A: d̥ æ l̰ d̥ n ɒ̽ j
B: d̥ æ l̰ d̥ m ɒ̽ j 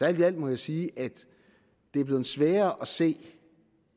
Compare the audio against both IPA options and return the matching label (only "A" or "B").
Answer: B